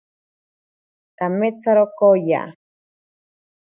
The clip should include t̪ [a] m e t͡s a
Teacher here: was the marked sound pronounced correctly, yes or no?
yes